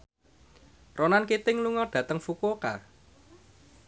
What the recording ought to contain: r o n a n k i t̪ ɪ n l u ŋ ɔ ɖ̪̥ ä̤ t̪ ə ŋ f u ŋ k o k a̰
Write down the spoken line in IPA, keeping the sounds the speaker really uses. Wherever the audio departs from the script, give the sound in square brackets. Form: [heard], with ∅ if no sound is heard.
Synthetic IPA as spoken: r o n a n k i t̪ ɪ [ŋ] l u ŋ ɔ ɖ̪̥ ä̤ t̪ ə ŋ f u [∅] k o k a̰